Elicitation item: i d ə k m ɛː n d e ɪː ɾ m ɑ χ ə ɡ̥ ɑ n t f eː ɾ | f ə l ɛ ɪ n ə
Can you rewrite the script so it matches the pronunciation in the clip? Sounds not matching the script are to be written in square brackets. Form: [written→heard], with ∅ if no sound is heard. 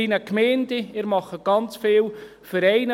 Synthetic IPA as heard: i [d→n] ə k m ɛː n d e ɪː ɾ m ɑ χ ə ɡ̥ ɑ n [t→t͡s] f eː [ɾ→l] | f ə [l→ɾ] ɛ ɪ n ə